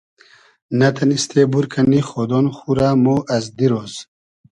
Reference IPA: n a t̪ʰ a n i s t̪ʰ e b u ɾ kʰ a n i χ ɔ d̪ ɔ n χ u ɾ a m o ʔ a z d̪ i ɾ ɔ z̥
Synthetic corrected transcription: n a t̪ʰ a n i s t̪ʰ e b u ɾ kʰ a n i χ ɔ d̪ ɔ n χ u ɾ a m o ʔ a z d̪ i ɾ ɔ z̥